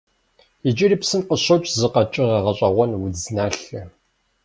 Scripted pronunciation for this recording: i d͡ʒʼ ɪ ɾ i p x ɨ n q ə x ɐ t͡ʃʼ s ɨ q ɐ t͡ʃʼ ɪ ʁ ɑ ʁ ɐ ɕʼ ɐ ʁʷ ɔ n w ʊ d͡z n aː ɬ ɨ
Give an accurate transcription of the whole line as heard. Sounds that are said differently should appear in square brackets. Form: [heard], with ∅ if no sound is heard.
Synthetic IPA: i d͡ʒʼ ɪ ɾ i p [s] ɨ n q ə [ɕ] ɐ t͡ʃʼ [z] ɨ q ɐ t͡ʃʼ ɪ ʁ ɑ ʁ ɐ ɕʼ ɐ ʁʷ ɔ n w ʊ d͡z n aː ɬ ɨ